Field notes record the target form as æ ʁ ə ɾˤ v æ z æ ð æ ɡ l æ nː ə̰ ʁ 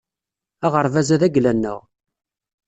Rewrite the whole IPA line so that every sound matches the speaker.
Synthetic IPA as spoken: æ ʁ ə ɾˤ v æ z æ ð æ ɡ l æ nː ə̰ ʁ